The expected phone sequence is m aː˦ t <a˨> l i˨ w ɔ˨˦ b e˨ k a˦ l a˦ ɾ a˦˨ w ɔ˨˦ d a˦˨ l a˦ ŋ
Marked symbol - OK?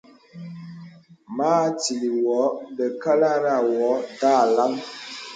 no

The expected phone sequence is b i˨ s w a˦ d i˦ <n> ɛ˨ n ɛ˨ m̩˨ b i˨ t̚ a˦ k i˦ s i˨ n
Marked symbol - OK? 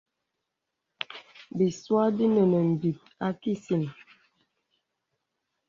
yes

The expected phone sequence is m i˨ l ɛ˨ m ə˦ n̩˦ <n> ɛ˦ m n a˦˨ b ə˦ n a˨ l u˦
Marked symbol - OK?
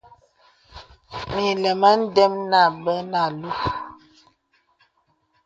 no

